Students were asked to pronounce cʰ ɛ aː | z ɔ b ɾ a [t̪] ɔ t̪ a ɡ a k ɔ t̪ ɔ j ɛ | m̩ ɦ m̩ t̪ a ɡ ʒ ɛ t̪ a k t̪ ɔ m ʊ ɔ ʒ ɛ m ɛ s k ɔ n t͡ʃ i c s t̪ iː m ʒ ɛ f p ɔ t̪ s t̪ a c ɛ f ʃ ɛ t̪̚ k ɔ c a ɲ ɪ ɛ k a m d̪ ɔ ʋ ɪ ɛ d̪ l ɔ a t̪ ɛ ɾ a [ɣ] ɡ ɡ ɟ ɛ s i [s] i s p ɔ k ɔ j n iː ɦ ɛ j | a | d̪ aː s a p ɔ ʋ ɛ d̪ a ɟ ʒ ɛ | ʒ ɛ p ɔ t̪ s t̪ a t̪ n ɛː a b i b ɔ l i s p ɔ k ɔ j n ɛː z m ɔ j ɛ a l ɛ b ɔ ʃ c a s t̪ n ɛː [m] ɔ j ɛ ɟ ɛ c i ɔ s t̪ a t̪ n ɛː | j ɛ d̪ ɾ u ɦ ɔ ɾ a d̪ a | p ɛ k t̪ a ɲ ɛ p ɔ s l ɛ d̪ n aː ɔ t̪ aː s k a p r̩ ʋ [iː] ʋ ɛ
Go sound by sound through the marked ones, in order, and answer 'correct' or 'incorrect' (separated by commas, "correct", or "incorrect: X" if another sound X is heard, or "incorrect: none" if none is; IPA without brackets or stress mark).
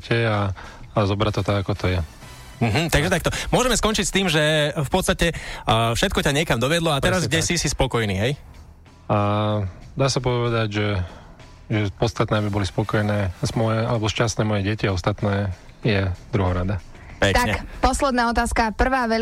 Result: correct, incorrect: z, correct, correct, incorrect: aː